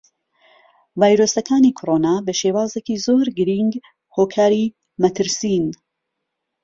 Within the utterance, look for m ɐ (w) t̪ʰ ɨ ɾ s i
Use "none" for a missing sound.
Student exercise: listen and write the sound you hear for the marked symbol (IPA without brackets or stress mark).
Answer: none